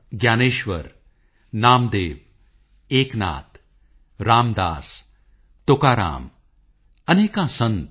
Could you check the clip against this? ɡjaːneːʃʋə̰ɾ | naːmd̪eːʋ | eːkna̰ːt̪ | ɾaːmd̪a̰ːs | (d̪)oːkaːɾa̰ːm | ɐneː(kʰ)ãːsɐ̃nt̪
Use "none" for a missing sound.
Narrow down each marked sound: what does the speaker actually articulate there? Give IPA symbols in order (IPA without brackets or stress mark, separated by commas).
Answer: t̪, k